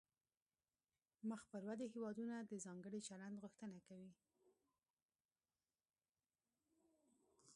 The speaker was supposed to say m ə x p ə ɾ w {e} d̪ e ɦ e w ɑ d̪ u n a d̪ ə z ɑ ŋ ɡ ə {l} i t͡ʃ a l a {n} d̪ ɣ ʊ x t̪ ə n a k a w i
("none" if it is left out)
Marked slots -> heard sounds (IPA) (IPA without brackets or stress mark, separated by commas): a, ɽ, n